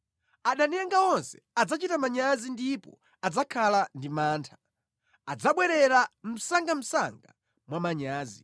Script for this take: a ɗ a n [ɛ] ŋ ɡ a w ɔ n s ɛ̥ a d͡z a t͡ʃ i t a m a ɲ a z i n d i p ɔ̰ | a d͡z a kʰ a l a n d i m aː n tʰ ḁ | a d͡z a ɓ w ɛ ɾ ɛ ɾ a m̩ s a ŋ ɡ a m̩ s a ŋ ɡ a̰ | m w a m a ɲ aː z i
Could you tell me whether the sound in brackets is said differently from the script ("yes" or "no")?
no